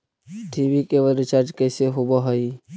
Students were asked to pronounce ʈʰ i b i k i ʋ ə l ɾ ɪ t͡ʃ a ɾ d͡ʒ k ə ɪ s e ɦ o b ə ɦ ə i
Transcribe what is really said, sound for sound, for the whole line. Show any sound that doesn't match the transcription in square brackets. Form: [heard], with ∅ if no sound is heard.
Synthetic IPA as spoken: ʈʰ i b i k [e] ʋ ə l ɾ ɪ t͡ʃ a ɾ d͡ʒ k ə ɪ s e ɦ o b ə ɦ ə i